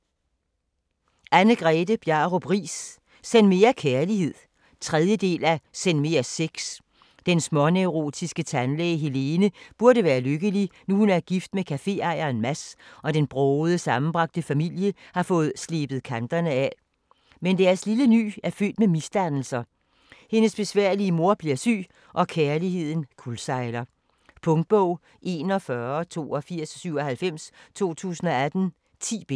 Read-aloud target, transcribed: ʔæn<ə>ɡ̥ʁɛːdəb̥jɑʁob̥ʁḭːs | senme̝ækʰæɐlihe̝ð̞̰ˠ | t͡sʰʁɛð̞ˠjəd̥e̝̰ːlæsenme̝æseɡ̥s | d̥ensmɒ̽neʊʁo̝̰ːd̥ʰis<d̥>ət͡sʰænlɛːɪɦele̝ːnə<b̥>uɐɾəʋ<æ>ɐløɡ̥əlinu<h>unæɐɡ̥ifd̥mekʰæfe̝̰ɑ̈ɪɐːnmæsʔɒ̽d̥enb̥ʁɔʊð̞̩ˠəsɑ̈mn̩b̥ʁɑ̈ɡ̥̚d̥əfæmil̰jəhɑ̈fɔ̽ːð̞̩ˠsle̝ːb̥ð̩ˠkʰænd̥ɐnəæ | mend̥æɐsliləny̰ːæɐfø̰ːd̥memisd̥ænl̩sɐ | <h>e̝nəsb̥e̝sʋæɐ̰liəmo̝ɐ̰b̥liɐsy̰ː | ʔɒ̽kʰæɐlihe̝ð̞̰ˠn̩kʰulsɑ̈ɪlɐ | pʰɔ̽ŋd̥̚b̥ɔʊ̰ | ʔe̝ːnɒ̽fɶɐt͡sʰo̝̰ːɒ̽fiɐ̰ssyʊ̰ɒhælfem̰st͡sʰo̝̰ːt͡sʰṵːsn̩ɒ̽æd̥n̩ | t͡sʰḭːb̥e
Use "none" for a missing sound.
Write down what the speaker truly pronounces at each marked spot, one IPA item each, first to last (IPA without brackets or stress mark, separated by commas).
ə, ɡ̥, b̥, æː, h, h